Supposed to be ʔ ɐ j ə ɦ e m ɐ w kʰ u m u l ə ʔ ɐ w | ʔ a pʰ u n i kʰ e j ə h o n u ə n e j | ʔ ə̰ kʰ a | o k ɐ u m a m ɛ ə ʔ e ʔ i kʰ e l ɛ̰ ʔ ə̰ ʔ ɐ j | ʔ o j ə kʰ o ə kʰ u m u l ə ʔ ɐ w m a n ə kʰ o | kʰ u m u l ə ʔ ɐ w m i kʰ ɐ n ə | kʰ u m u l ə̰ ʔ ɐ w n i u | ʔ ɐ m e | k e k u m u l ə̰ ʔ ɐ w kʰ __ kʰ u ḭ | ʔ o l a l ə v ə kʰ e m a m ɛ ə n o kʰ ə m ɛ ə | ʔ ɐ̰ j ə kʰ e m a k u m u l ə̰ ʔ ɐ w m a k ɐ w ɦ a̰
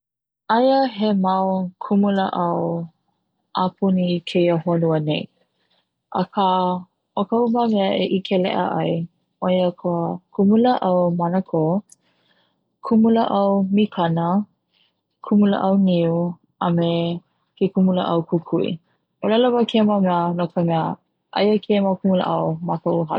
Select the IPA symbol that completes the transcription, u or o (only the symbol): u